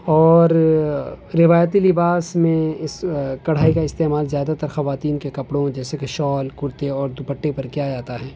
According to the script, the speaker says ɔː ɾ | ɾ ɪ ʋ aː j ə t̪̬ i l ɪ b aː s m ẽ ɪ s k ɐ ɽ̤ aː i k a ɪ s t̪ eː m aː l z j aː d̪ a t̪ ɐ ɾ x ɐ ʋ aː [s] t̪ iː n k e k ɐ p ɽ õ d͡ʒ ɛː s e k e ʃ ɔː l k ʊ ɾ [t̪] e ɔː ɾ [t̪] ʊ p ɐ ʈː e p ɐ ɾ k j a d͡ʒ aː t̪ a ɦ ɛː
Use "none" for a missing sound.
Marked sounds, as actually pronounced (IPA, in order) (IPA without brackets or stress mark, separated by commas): none, t̪, d̪